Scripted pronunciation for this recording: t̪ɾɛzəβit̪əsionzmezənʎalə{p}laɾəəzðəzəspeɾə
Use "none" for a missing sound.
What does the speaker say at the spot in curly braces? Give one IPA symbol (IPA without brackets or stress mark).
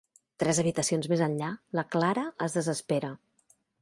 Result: k